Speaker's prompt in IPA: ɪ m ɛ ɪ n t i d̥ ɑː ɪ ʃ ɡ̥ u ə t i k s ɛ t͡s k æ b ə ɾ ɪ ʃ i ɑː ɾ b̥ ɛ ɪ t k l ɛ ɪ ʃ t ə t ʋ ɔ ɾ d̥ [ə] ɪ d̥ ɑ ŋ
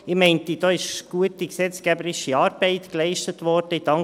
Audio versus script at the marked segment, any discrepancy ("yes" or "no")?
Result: no